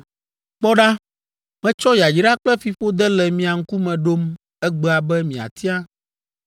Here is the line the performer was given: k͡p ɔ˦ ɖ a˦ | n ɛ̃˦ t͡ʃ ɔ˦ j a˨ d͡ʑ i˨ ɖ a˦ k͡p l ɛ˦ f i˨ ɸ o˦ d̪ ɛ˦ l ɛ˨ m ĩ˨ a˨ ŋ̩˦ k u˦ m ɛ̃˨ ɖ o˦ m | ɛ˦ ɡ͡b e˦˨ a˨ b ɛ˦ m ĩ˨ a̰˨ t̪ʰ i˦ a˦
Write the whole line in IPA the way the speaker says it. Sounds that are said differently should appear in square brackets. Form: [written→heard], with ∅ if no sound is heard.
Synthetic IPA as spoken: k͡p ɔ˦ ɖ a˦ | [n→m] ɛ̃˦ t͡ʃ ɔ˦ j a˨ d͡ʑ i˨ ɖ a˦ k͡p l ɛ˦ f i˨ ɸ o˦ d̪ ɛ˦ l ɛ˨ m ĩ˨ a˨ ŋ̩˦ k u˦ m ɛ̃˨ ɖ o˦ m | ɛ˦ ɡ͡b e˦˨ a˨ b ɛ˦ m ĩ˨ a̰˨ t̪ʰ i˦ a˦